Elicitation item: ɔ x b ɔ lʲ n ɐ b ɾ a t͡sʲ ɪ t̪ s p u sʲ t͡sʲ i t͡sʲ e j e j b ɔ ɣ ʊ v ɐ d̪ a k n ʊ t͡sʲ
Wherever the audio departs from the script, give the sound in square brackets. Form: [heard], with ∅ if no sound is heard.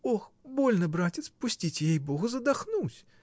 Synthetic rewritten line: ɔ x b ɔ lʲ n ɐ b ɾ a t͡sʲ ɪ t̪ s p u sʲ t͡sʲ i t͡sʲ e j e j b ɔ ɣ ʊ [z] ɐ d̪ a [x] n [u] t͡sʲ